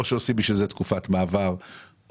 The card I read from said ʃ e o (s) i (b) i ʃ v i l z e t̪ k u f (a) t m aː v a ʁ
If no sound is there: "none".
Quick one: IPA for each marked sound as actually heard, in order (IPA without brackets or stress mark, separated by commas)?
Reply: s, b, a